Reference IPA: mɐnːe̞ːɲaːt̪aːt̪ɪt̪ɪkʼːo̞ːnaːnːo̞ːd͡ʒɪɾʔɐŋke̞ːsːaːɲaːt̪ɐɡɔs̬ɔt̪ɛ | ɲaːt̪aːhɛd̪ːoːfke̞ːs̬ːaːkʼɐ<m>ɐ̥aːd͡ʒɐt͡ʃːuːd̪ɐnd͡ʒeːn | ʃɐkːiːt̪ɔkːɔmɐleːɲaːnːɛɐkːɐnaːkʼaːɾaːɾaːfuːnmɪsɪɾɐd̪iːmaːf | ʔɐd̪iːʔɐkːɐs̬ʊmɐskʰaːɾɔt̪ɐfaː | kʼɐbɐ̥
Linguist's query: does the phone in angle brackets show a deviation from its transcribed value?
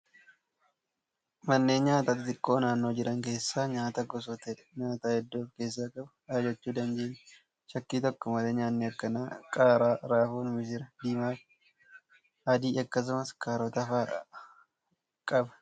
yes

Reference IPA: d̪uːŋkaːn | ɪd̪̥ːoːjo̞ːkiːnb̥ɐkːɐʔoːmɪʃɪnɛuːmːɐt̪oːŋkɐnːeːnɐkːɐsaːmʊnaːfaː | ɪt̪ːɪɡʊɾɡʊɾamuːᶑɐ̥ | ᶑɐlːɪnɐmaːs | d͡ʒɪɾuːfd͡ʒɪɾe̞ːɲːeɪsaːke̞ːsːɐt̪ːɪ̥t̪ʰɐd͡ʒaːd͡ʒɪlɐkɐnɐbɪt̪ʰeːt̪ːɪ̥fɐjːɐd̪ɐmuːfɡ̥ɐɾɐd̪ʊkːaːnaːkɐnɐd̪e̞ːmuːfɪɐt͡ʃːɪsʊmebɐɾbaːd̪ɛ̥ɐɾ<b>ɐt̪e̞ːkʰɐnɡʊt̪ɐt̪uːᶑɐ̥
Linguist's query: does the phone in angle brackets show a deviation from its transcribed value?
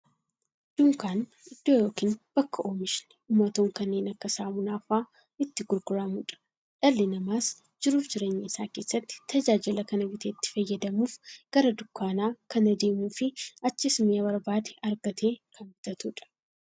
yes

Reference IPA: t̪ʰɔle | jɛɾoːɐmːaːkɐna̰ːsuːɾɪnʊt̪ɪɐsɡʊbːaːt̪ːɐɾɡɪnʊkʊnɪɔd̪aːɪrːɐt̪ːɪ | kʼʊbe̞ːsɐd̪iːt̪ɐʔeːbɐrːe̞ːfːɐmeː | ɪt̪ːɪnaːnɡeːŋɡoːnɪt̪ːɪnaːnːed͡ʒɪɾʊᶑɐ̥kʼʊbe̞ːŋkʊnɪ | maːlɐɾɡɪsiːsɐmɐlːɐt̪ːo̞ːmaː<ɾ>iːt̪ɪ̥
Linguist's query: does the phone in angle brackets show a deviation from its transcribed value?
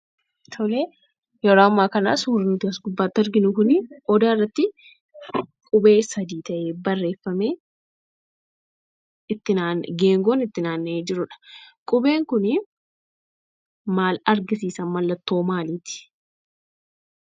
yes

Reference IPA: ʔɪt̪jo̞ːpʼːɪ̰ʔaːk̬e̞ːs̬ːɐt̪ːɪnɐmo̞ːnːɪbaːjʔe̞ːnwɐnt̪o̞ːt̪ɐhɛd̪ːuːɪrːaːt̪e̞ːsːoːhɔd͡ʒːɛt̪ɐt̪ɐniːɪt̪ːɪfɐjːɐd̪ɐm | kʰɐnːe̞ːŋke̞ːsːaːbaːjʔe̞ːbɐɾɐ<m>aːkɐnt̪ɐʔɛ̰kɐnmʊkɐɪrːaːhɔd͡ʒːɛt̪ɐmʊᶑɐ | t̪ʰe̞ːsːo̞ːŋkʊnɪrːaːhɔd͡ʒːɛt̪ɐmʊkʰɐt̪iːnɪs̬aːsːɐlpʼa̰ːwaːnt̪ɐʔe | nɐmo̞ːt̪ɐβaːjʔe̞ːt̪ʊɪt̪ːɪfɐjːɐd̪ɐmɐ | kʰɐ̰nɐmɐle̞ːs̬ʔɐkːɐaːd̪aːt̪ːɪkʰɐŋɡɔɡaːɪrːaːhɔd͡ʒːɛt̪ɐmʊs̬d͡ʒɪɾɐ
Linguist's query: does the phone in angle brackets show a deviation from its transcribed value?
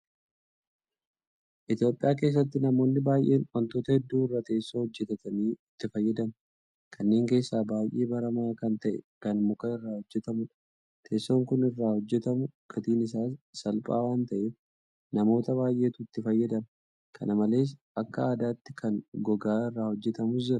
no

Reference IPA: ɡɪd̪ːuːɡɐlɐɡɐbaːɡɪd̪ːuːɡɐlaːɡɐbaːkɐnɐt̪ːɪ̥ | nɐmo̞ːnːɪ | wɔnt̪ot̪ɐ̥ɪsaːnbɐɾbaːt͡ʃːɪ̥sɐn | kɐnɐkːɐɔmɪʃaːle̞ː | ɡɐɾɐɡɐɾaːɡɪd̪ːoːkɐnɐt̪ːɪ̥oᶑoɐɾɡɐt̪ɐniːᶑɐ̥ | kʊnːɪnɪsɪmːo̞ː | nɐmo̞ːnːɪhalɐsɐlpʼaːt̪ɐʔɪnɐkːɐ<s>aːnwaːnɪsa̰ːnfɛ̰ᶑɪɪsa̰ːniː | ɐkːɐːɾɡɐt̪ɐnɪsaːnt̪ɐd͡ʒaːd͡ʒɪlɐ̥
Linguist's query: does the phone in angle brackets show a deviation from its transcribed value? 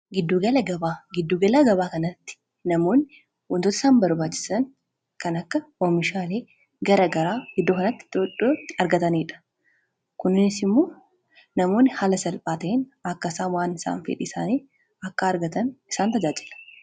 no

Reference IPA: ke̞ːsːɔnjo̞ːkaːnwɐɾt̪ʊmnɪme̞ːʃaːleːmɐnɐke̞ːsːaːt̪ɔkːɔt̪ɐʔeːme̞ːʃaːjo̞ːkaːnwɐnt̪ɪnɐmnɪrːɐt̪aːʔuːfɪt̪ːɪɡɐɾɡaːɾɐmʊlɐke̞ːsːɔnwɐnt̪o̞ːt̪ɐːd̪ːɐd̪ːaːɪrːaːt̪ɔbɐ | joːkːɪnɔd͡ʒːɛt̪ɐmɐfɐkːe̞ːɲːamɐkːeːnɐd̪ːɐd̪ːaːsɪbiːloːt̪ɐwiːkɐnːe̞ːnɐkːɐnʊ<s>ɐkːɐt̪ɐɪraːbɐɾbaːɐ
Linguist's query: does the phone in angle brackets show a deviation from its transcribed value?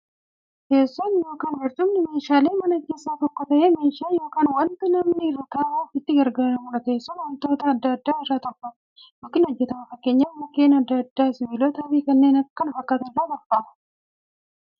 yes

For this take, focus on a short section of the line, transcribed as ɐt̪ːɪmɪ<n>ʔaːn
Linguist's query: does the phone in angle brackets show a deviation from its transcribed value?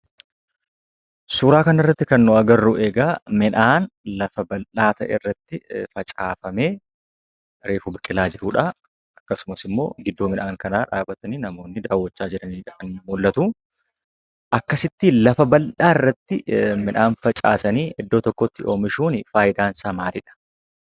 no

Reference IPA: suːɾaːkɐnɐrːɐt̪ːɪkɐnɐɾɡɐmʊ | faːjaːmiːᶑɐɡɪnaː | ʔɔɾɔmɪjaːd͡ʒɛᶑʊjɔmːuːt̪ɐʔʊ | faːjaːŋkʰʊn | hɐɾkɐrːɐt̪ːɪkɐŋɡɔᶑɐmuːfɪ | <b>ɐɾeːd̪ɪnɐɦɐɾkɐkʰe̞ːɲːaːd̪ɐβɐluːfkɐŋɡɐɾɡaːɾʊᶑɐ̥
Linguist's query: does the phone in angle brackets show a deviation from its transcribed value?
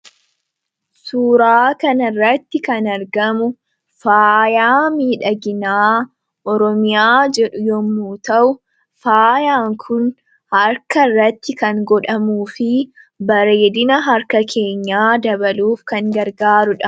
no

